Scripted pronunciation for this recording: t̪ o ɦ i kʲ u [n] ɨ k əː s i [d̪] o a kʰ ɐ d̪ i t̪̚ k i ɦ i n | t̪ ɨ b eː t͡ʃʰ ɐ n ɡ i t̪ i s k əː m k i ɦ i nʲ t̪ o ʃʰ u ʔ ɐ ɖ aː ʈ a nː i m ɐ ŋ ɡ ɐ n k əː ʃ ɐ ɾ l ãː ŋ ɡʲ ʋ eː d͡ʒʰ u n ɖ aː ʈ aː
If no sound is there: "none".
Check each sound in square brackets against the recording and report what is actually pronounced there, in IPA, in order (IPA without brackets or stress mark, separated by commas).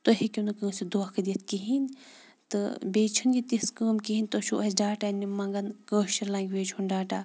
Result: n, d̪